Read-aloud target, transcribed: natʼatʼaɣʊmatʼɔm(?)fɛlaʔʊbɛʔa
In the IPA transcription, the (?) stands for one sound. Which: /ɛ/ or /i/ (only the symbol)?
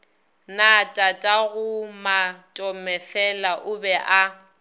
ɛ